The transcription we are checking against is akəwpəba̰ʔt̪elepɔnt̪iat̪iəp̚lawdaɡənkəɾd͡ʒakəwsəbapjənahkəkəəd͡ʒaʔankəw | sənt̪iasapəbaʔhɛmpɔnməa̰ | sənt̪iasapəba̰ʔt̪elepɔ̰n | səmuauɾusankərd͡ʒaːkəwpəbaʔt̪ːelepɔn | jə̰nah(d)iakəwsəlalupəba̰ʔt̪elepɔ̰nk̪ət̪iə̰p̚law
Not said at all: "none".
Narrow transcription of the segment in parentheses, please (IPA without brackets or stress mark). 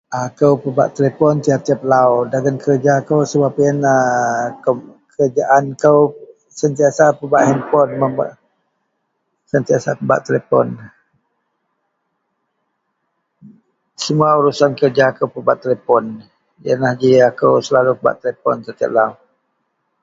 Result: d͡ʒ